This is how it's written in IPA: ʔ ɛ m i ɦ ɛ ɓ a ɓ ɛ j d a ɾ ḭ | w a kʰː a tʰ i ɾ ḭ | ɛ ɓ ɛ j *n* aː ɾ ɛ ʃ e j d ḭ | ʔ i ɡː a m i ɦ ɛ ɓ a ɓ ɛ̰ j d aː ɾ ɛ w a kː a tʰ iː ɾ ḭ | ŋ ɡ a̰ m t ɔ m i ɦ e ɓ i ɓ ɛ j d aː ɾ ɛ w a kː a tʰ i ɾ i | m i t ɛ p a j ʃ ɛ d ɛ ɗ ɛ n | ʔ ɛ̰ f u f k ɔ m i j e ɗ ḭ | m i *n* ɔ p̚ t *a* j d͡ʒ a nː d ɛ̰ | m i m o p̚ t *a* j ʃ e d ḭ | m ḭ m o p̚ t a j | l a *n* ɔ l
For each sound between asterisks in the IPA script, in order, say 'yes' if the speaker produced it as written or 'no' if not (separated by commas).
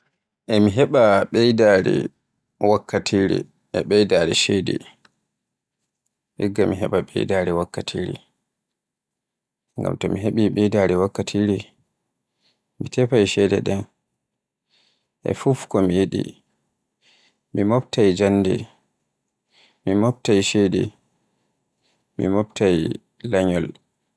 no, no, yes, yes, no